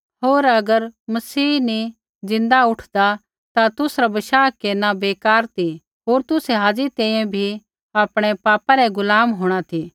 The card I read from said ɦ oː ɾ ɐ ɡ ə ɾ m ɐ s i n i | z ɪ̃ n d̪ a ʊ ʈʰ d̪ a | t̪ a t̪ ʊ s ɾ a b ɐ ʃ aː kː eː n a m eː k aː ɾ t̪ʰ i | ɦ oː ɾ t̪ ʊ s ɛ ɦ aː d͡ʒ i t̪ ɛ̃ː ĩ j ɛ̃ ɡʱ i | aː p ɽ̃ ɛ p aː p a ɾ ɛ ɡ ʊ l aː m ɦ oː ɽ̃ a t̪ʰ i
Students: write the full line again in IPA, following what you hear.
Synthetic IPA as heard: ɦ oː ɾ ɐ ɡ ə ɾ m ɐ s iː n i | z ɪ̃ n d̪ a ʊ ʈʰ d̪ a | t̪ a t̪ ʊ s ɾ a b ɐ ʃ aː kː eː n a b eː k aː ɾ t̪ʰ i | ɦ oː ɾ t̪ ʊ s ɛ ɦ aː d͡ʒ i t̪ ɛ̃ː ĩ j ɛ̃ bʱ i | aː p ɽ̃ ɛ p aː p a ɾ ɛ ɡ ʊ l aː m ɦ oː ɽ̃ a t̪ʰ i